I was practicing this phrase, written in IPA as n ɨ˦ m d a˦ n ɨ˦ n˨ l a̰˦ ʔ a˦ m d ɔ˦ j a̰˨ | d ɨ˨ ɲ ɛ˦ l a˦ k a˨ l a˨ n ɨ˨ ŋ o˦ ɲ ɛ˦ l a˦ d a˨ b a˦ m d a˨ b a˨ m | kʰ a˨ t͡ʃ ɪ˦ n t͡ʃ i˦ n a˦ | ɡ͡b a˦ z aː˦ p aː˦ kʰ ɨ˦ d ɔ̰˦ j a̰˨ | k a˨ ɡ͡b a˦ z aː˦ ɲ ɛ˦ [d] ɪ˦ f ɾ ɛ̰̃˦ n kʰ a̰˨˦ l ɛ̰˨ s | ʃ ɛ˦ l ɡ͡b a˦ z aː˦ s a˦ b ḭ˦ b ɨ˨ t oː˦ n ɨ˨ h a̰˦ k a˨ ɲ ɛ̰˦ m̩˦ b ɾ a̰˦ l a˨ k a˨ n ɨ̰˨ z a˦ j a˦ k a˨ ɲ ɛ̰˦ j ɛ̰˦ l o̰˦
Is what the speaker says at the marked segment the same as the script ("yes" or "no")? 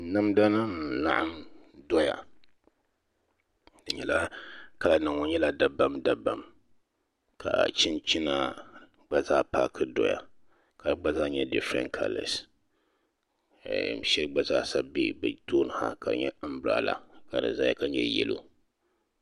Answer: yes